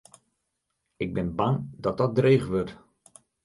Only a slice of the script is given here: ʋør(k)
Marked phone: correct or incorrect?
incorrect